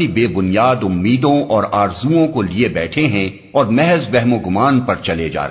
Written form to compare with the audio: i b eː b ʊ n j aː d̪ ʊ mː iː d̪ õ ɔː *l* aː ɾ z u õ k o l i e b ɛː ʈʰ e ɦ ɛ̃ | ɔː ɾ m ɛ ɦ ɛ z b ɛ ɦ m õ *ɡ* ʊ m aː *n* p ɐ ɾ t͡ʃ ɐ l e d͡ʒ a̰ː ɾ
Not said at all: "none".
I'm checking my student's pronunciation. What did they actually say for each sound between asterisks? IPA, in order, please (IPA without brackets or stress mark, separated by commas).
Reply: ɾ, ɡ, n